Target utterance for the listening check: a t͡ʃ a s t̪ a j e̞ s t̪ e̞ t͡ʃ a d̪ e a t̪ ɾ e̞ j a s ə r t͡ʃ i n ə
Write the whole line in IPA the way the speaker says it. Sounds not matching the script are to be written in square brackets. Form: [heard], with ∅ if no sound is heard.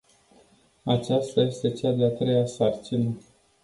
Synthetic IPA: a t͡ʃ a s t̪ a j e̞ s t̪ e̞ t͡ʃ a d̪ e a t̪ ɾ e̞ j a s [a] r t͡ʃ i n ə